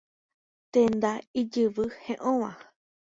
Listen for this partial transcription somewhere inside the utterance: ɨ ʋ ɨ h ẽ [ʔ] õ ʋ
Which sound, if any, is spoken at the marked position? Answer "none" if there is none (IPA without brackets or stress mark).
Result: ʔ